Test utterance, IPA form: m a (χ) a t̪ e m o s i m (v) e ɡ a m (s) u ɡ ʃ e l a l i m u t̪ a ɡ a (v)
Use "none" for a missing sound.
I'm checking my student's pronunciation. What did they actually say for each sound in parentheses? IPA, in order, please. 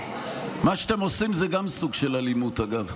ʃ, z, s, v

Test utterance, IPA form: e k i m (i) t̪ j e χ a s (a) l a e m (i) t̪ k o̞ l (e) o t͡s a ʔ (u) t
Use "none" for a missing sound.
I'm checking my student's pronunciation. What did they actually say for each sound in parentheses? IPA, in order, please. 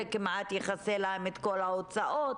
a, e, e, a, o

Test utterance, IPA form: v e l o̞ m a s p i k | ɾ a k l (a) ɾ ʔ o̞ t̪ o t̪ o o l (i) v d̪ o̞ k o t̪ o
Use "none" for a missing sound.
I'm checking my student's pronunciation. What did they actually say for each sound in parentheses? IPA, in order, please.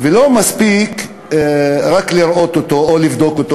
i, i

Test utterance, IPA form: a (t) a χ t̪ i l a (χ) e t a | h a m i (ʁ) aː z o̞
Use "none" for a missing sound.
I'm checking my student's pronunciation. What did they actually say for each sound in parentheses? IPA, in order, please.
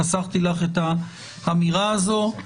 s, χ, ʁ

